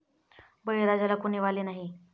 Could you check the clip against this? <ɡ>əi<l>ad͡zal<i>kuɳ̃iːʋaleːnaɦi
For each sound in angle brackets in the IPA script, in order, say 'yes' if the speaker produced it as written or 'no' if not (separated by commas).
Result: no, no, no